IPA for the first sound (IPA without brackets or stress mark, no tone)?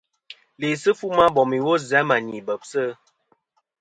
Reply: l